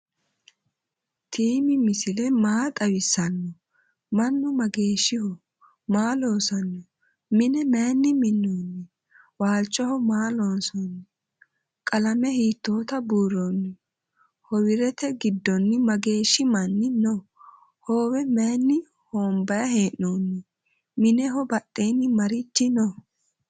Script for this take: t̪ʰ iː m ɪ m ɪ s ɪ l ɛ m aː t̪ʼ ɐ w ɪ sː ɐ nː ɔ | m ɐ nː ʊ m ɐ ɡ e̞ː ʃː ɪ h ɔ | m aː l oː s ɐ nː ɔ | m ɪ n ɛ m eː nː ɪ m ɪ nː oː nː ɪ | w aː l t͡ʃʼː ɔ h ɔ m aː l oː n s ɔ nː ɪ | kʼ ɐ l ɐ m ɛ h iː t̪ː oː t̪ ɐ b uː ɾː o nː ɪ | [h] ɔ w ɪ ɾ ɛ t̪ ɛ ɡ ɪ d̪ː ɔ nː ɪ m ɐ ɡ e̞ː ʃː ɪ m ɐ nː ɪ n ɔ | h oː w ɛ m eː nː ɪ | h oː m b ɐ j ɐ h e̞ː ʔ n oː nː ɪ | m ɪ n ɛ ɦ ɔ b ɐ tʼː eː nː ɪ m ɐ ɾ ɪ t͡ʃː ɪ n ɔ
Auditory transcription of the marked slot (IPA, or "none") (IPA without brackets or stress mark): h